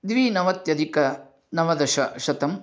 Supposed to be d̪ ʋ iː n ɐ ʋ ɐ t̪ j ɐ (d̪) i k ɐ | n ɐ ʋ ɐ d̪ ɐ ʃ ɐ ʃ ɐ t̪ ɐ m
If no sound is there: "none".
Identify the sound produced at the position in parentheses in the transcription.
d̪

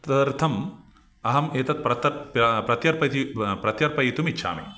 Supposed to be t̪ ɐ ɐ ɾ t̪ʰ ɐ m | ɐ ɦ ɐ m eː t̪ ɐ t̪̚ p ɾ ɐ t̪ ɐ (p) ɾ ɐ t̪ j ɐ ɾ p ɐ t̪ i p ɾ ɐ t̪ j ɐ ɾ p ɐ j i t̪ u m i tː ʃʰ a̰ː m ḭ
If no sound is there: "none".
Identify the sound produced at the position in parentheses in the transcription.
p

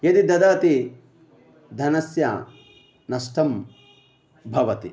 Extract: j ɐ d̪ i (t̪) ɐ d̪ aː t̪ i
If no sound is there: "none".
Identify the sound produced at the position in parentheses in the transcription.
d̪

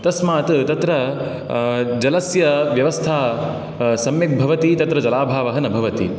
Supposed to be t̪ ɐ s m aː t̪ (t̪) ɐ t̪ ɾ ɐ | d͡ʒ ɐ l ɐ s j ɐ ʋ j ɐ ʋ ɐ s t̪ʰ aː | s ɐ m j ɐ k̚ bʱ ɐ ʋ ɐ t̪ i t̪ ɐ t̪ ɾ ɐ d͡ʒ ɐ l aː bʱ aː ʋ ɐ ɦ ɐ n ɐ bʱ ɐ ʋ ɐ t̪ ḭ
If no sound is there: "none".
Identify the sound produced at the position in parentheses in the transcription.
t̪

